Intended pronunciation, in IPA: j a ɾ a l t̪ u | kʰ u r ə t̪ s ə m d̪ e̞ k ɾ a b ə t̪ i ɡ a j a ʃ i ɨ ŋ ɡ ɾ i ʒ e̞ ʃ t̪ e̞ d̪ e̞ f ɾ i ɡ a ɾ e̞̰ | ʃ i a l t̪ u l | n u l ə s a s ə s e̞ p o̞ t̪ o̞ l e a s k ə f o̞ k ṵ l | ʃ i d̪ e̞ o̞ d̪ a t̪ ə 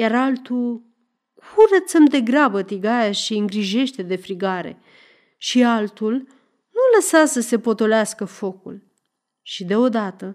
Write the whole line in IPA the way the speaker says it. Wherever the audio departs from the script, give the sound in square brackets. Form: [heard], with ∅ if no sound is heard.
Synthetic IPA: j a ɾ a l t̪ u | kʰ u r ə t̪ s ə m d̪ e̞ [ɡ] ɾ a b ə t̪ i ɡ a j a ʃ i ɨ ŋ ɡ ɾ i ʒ e̞ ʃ t̪ e̞ d̪ e̞ f ɾ i ɡ a ɾ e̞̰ | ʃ i a l t̪ u l | n u l ə s a s ə s e̞ p o̞ t̪ o̞ l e a s k ə f o̞ k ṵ l | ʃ i d̪ e̞ o̞ d̪ a t̪ ə